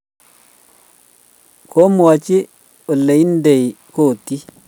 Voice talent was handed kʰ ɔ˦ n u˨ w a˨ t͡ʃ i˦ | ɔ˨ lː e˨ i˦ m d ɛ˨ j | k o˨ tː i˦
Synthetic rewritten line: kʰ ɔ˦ m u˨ w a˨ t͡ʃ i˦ | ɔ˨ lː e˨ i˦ n d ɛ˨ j | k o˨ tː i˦